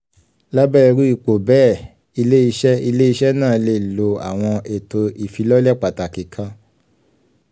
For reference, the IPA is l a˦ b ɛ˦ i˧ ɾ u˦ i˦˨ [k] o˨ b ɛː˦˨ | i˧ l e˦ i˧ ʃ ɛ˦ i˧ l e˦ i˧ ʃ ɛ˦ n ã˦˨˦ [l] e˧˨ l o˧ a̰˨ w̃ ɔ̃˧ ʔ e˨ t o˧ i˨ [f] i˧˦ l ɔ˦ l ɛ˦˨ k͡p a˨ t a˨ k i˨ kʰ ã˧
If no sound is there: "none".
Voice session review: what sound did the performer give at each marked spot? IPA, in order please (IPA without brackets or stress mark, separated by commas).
k͡p, l, f